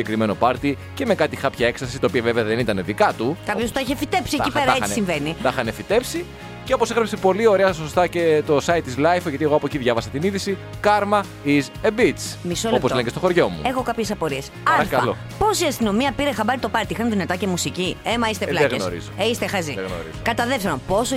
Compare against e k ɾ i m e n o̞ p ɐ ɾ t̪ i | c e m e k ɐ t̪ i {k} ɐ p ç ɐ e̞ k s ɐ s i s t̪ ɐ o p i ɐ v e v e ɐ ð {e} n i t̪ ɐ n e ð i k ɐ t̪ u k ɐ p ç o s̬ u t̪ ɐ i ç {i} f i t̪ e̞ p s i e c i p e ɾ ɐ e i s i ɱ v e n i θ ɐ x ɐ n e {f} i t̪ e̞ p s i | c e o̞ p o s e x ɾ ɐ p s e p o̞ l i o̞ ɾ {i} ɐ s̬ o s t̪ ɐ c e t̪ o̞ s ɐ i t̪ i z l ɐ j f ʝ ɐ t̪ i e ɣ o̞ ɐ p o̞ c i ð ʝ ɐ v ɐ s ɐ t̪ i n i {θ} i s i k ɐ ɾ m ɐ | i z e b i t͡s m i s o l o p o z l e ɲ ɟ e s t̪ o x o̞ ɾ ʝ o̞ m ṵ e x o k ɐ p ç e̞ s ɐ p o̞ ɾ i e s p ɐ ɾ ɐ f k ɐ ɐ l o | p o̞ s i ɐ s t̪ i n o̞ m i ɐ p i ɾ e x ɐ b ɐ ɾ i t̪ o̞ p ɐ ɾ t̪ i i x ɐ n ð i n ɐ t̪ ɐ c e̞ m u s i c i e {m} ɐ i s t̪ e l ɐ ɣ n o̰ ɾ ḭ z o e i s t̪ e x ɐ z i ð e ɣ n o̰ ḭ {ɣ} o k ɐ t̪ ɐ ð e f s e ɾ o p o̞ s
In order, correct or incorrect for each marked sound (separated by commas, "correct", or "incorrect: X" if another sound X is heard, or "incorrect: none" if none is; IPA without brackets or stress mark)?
incorrect: x, correct, incorrect: e, correct, incorrect: e, incorrect: ð, correct, incorrect: z